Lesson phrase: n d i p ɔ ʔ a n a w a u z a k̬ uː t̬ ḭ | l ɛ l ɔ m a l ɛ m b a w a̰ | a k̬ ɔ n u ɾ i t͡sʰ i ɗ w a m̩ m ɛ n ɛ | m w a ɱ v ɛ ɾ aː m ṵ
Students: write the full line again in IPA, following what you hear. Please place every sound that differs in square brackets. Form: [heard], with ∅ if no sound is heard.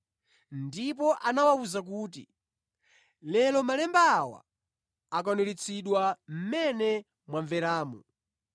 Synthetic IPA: n d i p ɔ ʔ a n a w a u z a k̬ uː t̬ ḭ | l ɛ l ɔ m a l ɛ m b a w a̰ | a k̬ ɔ n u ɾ i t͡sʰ i ɗ w a m̩ m ɛ n ɛ | m w a ɱ v ɛ ɾ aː m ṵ

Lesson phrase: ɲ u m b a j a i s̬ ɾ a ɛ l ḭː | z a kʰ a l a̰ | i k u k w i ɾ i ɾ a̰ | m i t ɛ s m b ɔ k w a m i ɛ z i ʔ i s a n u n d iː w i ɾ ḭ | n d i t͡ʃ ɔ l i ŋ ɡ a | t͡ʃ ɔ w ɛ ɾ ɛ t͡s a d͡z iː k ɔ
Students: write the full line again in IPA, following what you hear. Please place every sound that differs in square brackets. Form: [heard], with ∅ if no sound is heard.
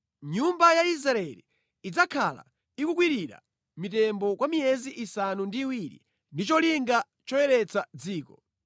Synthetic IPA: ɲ u m b a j a i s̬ ɾ a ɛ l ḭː | [d͡z] a kʰ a l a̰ | i k u k w i ɾ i ɾ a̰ | m i t ɛ [∅] m b ɔ k w a m i ɛ z i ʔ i s a n u n d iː w i ɾ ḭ | n d i t͡ʃ ɔ l i ŋ ɡ a | t͡ʃ ɔ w ɛ ɾ ɛ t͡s a d͡z iː k ɔ

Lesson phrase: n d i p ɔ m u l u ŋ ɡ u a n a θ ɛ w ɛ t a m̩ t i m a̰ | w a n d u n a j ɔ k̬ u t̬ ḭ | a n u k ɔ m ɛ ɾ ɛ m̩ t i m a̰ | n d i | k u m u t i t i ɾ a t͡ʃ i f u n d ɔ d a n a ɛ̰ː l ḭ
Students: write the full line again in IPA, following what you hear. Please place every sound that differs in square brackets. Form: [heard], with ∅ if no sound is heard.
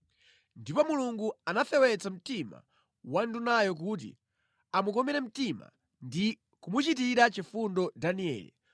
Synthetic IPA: n d i p ɔ m u l u ŋ ɡ u a n a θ ɛ w ɛ [t͡s] a m̩ t i m a̰ | w a n d u n a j ɔ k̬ u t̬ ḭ | a [m] u k ɔ m ɛ ɾ ɛ m̩ t i m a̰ | n d i | k u m u [t͡ʃ] i t i ɾ a t͡ʃ i f u n d ɔ d a n [i] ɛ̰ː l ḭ

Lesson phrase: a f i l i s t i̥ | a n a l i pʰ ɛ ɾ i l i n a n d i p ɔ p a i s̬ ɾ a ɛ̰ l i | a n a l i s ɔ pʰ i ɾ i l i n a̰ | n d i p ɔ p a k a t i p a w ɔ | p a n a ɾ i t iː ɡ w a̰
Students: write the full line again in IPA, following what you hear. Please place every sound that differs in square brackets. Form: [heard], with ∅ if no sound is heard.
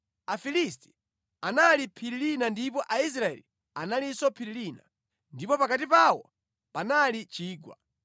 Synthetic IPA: a f i l i s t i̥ | a n a l i pʰ [i] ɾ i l i n a n d i p ɔ [ʔ] a i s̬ ɾ a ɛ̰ l i | a n a l i s ɔ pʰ i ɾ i l i n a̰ | n d i p ɔ p a k a t i p a w ɔ | p a n a [l] i [t͡ʃ] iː ɡ w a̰

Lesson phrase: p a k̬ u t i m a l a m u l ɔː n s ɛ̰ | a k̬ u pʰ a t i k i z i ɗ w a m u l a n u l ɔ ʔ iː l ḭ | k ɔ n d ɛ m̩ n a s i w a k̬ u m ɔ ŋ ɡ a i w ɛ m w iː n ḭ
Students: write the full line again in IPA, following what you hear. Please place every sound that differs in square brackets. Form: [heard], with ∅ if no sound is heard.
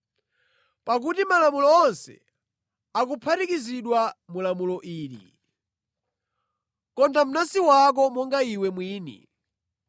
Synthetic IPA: p a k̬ u t i m a l a m u l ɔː n s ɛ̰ | a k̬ u pʰ a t i k i z i ɗ w a m u l a [m] u l ɔ ʔ iː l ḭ | k ɔ n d [a] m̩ n a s i w a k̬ [ɔ] m ɔ ŋ ɡ a i w ɛ m w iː n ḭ

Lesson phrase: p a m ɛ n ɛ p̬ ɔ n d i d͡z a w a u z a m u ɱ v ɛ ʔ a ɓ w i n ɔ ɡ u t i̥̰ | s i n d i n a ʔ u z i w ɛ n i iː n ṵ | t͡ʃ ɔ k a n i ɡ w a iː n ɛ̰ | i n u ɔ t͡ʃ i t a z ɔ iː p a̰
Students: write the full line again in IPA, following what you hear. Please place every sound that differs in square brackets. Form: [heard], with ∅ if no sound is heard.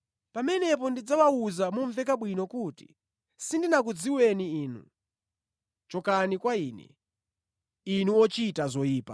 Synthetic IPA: p a m ɛ n ɛ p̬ ɔ n d i d͡z a w a u z a m u ɱ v ɛ [k] a ɓ w i n ɔ [k] u t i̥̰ | s i n d i n a [k] u [d͡z] i w ɛ n i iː n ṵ | t͡ʃ ɔ k a n i [k] w a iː n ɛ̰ | i n u ɔ t͡ʃ i t a z ɔ iː p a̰

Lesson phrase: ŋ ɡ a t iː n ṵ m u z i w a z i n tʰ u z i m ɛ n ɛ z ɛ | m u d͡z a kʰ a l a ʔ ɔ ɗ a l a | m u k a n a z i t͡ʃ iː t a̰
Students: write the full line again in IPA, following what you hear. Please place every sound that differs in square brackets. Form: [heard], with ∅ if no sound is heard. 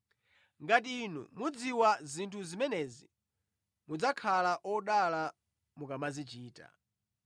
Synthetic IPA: ŋ ɡ a t iː n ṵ m u [d͡z] i w a z i n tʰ u z i m ɛ n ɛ z [i] | m u d͡z a kʰ a l a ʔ ɔ ɗ a l a | m u k a [m] a z i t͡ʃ iː t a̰

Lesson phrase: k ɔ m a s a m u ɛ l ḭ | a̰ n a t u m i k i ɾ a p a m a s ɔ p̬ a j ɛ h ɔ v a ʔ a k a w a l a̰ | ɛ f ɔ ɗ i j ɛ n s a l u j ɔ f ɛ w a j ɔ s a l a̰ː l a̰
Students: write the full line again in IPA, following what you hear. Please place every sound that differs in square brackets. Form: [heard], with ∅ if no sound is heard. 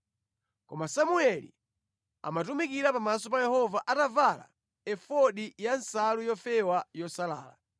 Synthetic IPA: k ɔ m a s a m u ɛ l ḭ | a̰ [m] a t u m i k i ɾ a p a m a s ɔ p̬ a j ɛ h ɔ v a ʔ a [t] a [v] a l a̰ | ɛ f ɔ ɗ i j [a] n s a l u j ɔ f ɛ w a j ɔ s a l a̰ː l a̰

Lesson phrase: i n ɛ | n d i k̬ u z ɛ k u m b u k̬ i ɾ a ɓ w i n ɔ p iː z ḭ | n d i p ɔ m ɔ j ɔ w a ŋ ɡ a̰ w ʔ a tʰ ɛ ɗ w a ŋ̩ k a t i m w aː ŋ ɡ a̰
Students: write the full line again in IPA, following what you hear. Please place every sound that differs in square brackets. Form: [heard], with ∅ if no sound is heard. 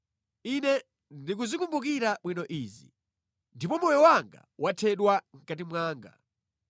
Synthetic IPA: i n ɛ | n d i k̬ u z [i] k u m b u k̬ i ɾ a ɓ w i n ɔ [ʔ] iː z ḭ | n d i p ɔ m ɔ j ɔ w a ŋ ɡ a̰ w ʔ a tʰ ɛ ɗ w a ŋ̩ k a t i m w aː ŋ ɡ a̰

